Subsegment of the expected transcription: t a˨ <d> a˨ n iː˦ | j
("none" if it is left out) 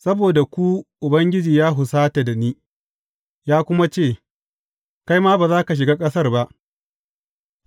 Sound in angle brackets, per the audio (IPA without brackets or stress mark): d